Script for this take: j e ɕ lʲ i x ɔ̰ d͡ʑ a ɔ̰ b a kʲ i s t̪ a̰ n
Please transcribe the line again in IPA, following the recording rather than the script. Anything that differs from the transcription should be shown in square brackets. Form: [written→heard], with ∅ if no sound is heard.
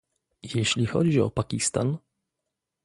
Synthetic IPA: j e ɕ lʲ i x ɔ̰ d͡ʑ [a→i] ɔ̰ [b→p] a kʲ i s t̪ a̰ n